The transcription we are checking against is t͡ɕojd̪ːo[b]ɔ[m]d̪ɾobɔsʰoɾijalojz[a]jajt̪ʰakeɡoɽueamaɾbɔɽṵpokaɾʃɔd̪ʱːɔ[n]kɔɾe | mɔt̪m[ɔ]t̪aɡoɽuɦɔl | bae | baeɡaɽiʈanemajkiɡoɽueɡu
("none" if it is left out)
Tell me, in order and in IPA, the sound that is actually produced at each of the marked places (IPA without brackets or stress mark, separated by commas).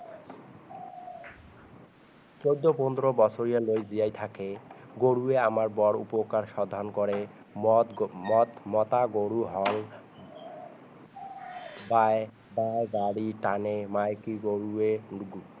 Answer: p, n, i, n, ɔ